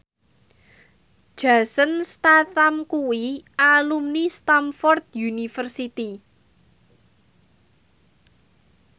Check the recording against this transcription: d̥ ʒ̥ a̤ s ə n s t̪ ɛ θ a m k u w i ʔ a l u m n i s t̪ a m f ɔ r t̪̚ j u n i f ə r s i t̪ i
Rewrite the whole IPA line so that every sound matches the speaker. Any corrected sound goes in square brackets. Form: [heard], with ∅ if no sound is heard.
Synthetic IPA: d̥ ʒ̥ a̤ s ə n s t̪ [a] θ a m k u w i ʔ a l u m n i s t̪ a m f ɔ r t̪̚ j u n i f ə r s i t̪ i